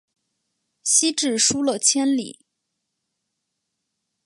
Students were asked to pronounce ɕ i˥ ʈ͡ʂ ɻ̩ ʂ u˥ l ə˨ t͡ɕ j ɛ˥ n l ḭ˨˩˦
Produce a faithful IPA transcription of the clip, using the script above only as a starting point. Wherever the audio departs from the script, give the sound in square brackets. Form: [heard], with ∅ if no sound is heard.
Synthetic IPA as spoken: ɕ i˥ ʈ͡ʂ ɻ̩ ʂ u˥ l ə˨ [t͡ɕʰ] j ɛ˥ n l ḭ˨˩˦